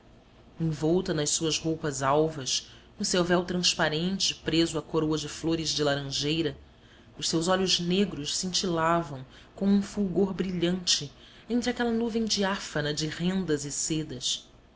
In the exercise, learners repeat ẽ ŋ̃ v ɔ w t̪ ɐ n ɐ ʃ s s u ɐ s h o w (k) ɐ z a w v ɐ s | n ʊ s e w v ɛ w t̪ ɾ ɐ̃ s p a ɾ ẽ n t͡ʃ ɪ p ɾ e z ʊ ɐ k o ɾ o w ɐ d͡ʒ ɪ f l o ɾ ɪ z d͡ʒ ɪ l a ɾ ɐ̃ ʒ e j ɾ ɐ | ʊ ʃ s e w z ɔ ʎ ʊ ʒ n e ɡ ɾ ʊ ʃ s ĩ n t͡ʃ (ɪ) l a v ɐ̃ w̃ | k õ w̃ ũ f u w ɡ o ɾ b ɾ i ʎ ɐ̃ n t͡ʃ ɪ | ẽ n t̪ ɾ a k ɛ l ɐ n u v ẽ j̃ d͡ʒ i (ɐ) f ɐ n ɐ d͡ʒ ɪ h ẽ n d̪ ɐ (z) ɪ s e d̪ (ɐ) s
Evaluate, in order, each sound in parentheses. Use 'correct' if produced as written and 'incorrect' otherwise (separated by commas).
incorrect, incorrect, incorrect, correct, correct